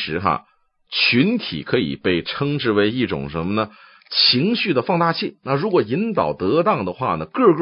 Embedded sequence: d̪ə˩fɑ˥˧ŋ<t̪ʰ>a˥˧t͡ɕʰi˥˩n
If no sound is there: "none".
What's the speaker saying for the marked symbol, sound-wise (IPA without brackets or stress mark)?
t̪